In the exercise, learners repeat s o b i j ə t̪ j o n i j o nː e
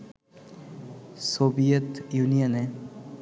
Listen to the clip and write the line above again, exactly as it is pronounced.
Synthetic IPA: s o b i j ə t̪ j u n i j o n e